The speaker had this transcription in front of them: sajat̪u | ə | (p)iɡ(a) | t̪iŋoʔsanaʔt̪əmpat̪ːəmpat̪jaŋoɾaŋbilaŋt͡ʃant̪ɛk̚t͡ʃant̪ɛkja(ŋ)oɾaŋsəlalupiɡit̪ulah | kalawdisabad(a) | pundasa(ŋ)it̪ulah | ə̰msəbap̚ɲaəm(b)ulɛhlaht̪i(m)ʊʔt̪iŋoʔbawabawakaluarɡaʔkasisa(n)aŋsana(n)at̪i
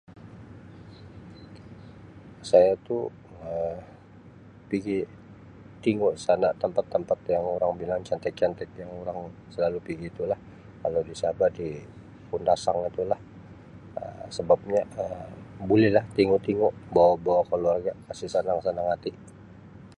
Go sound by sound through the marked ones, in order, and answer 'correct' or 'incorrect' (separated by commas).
correct, incorrect, correct, incorrect, correct, correct, incorrect, correct, incorrect